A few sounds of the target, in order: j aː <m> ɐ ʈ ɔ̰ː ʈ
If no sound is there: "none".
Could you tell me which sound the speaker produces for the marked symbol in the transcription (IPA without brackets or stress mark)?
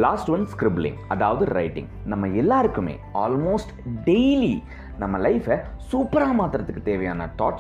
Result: n